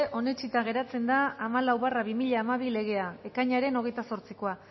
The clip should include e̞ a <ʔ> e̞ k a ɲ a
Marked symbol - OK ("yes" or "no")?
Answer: no